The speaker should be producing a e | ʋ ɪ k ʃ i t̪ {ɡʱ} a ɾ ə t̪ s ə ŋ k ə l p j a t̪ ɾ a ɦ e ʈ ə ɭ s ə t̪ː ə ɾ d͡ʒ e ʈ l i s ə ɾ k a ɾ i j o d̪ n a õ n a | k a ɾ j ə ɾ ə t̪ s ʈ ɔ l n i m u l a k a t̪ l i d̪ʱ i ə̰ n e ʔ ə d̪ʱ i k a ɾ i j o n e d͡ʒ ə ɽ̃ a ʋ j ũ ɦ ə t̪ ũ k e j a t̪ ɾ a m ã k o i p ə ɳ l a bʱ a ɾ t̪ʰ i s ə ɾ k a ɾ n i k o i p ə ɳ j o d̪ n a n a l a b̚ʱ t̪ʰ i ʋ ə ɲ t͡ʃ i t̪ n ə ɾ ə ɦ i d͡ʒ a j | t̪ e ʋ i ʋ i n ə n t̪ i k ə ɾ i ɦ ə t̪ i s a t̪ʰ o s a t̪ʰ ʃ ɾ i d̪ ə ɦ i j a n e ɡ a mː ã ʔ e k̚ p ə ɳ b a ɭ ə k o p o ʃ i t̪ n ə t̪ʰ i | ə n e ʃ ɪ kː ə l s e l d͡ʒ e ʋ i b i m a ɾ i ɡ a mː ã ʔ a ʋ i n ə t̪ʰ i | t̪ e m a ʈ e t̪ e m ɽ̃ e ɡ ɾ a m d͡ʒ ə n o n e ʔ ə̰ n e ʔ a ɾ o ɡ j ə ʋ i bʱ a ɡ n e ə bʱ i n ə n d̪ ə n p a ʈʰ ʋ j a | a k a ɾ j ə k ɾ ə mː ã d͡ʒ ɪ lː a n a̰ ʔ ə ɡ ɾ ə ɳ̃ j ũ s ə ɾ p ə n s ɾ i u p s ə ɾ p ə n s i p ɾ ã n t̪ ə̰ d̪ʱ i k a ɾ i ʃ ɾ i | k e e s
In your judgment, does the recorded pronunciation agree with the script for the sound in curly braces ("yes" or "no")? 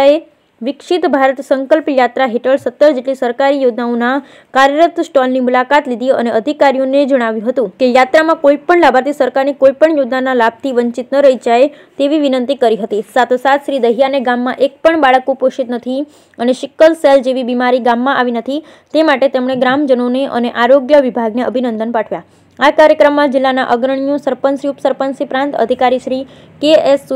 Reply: no